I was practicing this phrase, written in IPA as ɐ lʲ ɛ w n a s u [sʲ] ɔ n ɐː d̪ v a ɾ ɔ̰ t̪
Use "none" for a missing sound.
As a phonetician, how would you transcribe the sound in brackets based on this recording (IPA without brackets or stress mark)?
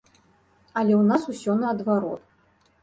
sʲ